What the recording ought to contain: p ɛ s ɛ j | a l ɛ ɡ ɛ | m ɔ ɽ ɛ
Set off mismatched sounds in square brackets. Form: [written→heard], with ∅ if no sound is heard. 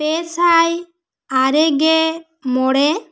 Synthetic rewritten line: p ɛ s [ɛ→a] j | a [l→ɾ] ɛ ɡ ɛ | m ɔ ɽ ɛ